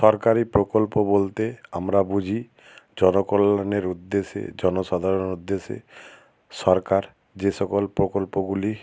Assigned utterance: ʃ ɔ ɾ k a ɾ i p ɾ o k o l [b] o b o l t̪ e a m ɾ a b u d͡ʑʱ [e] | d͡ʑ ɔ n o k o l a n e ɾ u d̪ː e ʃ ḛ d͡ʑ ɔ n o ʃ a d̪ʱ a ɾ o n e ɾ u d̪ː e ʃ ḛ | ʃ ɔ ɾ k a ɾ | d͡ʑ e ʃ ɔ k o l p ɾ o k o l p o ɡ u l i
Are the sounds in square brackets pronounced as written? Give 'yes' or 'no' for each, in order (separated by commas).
no, no